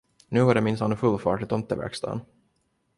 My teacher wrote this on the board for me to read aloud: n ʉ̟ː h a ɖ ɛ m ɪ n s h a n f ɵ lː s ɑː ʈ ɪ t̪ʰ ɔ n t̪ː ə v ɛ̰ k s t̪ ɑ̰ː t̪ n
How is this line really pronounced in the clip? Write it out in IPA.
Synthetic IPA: n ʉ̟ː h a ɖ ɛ m ɪ n s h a n f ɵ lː f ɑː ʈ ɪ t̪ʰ ɔ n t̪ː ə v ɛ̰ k s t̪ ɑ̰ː n